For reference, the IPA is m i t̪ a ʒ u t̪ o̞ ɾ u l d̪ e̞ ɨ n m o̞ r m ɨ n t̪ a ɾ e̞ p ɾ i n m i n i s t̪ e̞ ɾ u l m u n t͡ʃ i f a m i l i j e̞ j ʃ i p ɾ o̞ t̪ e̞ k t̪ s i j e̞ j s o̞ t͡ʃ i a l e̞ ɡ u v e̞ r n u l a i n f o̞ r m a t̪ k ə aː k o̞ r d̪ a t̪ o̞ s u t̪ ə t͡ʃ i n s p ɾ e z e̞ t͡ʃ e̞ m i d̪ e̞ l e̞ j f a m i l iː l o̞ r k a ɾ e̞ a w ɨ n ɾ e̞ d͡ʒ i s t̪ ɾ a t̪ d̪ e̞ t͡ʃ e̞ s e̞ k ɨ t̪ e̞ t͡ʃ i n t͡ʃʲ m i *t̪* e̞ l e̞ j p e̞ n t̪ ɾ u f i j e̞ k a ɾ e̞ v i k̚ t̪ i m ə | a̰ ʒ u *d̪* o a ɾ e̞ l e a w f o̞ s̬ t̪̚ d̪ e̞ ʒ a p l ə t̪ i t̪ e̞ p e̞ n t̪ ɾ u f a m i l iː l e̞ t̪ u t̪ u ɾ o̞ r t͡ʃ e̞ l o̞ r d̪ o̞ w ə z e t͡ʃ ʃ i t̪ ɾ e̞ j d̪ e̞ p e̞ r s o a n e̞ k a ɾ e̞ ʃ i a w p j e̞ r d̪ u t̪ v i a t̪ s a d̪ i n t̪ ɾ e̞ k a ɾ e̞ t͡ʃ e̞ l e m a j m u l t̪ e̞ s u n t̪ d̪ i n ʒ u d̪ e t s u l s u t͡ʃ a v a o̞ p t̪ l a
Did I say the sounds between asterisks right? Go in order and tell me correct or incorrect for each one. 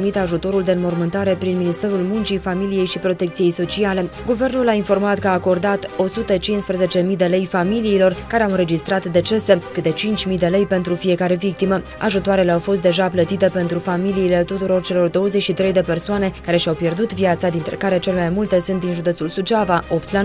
incorrect: d̪, incorrect: t̪

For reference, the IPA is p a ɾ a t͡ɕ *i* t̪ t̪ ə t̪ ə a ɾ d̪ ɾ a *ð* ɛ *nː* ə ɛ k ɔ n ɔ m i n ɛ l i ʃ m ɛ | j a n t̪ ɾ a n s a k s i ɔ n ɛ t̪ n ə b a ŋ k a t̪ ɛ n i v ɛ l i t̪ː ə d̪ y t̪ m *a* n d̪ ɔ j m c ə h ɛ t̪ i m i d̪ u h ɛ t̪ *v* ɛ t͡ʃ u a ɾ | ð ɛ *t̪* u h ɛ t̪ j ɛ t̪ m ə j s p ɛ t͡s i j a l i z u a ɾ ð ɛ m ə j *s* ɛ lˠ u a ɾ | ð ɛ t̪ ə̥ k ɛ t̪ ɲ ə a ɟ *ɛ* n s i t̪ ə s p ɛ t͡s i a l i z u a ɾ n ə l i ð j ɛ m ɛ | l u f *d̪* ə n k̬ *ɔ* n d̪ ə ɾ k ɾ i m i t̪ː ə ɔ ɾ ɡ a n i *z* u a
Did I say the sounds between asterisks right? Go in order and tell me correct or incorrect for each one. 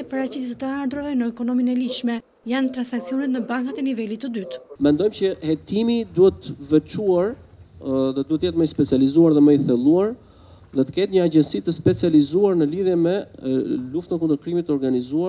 correct, incorrect: v, incorrect: n, incorrect: ɛ, correct, incorrect: d̪, incorrect: θ, correct, incorrect: t̪, incorrect: u, correct

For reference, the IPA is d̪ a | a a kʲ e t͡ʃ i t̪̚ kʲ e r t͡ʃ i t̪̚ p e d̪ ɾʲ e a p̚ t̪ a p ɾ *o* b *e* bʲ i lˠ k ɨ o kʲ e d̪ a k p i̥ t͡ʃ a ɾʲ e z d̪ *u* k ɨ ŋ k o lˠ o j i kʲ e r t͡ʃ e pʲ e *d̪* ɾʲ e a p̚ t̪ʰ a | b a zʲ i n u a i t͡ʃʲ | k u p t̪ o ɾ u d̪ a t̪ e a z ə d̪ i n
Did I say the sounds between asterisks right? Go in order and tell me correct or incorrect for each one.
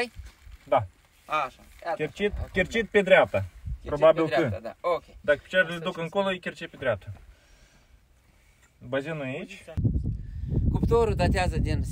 correct, incorrect: a, correct, correct

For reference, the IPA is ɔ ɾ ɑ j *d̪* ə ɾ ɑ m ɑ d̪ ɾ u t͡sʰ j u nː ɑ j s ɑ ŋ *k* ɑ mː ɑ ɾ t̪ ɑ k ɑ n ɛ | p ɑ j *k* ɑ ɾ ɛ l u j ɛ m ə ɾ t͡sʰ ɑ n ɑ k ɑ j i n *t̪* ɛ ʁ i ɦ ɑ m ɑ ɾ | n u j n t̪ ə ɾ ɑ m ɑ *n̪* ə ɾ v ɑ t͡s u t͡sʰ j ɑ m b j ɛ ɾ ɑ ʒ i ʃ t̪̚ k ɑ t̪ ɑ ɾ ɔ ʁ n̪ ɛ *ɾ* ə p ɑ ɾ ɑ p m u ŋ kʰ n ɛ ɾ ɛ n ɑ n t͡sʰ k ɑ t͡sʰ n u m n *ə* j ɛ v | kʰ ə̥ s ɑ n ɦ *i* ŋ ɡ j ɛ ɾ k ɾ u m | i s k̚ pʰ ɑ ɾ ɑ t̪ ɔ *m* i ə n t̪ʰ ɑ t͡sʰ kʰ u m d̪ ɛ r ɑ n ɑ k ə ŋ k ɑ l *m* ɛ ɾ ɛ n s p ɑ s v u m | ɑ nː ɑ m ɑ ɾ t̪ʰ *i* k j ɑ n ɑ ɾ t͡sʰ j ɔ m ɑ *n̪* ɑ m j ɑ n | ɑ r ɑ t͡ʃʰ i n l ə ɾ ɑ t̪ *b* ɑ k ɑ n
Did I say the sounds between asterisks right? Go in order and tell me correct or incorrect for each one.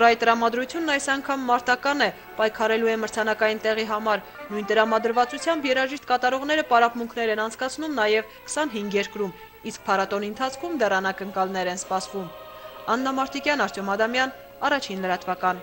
incorrect: t̪, incorrect: kʰ, incorrect: kʰ, correct, incorrect: d̪, correct, incorrect: ɑ, correct, incorrect: n, incorrect: n, correct, incorrect: d̪, incorrect: v

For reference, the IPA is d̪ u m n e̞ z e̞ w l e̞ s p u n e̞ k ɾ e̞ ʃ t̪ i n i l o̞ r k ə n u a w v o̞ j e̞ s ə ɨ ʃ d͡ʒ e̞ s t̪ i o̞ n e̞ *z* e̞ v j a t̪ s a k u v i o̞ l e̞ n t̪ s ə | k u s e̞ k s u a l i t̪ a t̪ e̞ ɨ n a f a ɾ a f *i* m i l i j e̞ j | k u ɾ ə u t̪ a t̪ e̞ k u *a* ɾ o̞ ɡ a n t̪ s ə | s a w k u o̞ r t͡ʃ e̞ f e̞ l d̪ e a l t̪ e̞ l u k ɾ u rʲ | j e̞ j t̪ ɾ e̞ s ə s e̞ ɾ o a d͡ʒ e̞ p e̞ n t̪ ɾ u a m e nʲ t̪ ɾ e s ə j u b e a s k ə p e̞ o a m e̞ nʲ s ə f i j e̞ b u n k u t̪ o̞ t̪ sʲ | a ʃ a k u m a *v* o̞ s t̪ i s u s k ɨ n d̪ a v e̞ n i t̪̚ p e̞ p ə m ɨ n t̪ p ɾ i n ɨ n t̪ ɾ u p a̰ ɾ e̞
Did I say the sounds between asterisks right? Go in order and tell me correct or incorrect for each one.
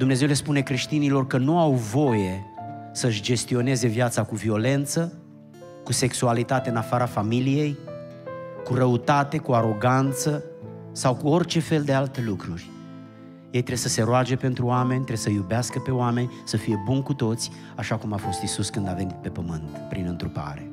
correct, incorrect: a, correct, incorrect: f

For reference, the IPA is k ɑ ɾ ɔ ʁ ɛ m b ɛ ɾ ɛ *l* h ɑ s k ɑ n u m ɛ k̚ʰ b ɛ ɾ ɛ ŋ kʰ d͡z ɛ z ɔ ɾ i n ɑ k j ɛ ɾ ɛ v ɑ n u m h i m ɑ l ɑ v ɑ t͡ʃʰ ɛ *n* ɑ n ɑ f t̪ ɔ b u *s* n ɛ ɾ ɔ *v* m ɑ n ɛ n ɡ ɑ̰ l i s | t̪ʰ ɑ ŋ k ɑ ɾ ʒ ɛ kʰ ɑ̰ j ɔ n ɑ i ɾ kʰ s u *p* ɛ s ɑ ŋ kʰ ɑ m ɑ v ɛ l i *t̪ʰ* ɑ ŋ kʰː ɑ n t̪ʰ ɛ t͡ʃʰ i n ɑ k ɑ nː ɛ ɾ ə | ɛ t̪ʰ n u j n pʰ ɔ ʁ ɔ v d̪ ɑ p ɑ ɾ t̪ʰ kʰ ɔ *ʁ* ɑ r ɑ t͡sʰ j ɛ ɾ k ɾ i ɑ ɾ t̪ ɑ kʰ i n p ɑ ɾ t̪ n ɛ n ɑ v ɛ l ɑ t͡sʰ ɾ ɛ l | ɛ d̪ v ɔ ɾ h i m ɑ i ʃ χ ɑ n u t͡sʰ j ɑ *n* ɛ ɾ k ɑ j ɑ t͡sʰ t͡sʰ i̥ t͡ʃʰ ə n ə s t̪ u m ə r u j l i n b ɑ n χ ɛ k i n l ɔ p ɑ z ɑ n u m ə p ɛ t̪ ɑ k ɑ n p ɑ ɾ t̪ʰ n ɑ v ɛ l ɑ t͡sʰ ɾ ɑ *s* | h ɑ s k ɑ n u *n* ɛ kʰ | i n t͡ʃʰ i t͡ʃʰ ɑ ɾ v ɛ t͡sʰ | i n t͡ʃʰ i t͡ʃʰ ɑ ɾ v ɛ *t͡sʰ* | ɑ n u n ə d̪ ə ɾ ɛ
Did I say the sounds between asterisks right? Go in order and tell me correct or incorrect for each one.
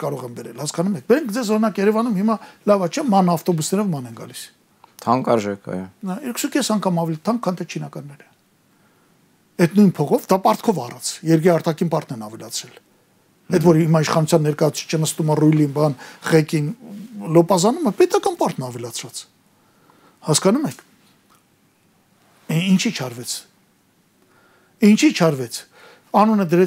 correct, incorrect: m, correct, correct, incorrect: k, correct, incorrect: v, incorrect: nː, incorrect: t͡s, incorrect: m, correct

